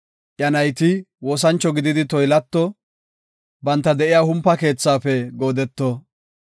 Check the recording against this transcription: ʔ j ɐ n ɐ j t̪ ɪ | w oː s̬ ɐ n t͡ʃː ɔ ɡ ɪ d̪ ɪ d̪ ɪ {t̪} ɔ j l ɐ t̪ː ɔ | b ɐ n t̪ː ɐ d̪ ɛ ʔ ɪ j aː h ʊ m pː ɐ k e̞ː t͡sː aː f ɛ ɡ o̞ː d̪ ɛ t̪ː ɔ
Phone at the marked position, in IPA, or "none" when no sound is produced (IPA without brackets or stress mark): t̪